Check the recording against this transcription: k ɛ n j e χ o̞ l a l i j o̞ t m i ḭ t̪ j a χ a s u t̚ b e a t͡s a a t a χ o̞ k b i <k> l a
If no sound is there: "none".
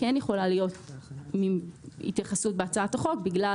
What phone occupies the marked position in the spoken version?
ɡ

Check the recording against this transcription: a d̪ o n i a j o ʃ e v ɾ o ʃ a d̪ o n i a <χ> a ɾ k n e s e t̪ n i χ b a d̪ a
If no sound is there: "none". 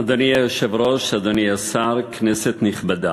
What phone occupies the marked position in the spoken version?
s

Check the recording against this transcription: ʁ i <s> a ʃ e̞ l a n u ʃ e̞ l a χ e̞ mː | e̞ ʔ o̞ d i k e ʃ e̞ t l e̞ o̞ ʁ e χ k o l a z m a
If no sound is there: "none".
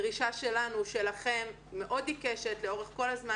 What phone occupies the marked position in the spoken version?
ʃ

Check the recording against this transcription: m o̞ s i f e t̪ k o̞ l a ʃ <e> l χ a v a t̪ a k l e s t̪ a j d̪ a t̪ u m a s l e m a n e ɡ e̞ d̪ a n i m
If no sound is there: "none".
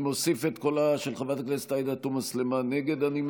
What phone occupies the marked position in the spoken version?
e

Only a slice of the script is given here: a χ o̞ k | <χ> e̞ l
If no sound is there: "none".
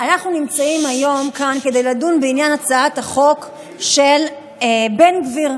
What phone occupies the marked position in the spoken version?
ʃ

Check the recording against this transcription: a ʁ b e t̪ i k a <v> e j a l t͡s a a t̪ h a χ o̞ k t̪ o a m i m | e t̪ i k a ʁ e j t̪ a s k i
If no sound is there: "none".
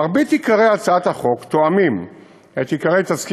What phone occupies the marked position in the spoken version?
ʁ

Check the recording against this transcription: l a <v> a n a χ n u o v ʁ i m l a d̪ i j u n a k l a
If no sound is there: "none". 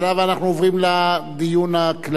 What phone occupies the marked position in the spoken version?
v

